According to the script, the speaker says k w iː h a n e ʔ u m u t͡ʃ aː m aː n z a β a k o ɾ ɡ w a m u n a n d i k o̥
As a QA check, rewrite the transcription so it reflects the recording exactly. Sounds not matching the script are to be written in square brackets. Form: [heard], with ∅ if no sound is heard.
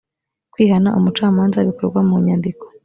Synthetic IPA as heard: k w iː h a n [a] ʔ u m u t͡ʃ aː m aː n z a β [i] k o ɾ ɡ w a m u [ɲ] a n d i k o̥